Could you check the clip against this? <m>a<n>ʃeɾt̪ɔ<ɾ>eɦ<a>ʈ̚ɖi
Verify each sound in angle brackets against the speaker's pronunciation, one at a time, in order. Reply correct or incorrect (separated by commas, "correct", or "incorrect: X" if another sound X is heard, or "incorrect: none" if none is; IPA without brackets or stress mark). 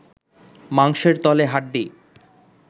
correct, incorrect: ŋ, incorrect: l, correct